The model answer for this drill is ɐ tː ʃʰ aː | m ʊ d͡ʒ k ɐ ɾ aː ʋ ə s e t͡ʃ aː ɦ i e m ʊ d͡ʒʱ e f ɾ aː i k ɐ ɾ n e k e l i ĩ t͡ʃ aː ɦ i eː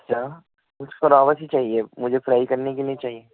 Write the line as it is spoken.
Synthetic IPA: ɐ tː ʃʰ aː | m ʊ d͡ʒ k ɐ ɾ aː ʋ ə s i t͡ʃ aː ɦ i e m ʊ d͡ʒʱ e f ɾ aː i k ɐ ɾ n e k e l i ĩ t͡ʃ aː ɦ i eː